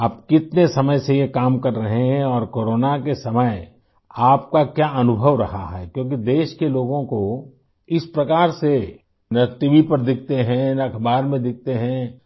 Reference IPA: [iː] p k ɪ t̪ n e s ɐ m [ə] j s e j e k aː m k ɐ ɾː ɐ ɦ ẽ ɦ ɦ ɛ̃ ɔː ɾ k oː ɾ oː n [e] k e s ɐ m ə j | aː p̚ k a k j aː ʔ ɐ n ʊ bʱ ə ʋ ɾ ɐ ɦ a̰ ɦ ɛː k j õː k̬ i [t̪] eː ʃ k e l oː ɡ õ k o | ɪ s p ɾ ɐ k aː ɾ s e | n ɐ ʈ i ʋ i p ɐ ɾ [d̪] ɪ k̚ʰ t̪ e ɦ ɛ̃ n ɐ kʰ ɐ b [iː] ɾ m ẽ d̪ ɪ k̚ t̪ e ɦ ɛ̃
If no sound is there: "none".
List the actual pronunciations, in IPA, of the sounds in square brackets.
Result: aː, ə, a, d̪, d̪, aː

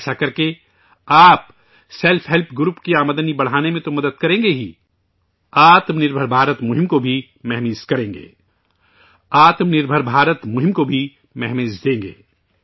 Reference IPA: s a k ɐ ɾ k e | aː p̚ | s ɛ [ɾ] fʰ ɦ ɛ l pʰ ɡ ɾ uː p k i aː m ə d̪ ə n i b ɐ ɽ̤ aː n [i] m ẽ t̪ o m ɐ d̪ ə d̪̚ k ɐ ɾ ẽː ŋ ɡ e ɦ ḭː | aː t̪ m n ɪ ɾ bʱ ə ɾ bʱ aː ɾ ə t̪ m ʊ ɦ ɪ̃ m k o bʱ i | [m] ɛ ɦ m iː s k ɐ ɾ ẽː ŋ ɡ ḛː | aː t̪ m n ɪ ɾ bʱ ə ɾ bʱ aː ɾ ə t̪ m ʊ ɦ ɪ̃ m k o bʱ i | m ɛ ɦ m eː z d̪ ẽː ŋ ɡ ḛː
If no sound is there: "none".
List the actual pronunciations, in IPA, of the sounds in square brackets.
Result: l, e, m

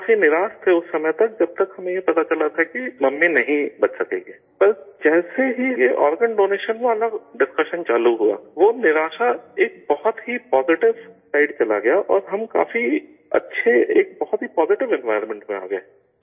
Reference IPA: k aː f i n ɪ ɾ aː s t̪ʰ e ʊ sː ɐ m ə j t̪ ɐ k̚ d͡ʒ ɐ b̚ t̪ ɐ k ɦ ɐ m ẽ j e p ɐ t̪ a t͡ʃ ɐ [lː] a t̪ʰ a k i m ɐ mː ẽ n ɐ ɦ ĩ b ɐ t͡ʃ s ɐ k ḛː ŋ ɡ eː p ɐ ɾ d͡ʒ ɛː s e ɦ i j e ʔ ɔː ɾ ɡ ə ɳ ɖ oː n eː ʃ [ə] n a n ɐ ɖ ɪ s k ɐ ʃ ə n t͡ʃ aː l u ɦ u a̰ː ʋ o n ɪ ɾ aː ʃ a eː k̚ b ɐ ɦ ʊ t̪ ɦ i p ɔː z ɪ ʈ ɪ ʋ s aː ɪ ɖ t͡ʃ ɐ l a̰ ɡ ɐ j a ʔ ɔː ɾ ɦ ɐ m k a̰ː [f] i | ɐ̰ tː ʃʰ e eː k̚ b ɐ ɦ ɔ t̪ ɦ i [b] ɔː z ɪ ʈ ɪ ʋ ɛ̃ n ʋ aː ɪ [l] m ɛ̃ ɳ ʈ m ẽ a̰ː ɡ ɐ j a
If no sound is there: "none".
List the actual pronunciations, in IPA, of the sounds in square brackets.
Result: l, ə, f, p, ɾ

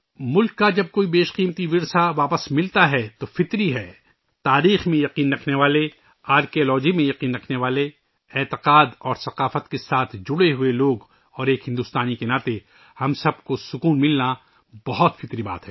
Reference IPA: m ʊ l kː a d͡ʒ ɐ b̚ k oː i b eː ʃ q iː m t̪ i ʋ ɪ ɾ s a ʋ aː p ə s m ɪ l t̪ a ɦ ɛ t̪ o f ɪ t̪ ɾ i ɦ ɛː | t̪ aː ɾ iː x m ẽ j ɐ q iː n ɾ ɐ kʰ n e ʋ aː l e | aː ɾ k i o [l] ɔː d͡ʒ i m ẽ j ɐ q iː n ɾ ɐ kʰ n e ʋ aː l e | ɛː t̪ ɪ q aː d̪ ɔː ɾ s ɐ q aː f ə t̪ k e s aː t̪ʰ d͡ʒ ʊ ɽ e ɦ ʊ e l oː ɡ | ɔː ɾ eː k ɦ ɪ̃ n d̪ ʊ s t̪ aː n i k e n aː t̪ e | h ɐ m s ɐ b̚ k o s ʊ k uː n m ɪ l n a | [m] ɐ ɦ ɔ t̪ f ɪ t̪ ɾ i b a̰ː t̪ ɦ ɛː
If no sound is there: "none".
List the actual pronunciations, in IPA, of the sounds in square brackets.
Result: l, b

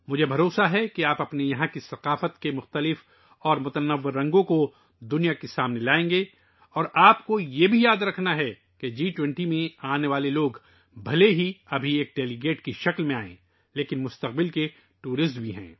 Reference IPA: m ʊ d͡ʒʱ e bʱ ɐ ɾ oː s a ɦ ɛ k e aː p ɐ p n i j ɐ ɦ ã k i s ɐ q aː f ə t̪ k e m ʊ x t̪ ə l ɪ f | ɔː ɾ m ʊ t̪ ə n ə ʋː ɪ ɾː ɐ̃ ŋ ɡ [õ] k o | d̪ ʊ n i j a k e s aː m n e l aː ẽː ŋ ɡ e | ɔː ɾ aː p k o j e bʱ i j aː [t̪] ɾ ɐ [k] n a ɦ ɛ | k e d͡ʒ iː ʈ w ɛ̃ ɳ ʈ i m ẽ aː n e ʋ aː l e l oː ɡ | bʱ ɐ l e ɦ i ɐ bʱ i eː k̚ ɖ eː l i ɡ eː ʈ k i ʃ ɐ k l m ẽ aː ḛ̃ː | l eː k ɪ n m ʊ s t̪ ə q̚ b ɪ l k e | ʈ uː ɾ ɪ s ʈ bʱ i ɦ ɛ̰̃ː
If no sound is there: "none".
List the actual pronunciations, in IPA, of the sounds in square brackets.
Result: õ, d̪, kʰ

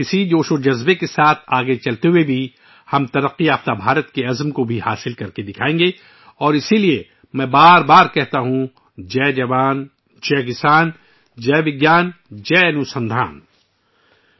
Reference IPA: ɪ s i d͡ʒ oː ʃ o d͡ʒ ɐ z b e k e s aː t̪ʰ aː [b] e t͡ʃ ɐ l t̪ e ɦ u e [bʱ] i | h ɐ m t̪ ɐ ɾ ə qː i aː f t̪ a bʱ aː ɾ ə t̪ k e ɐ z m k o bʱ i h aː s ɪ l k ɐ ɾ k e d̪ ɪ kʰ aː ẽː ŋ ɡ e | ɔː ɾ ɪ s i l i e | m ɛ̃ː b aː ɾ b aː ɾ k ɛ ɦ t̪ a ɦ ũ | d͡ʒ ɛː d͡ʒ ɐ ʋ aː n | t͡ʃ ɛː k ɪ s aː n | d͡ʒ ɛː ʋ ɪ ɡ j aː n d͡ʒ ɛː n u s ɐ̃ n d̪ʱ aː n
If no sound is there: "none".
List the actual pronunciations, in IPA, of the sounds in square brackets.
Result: ɡ, bʱ

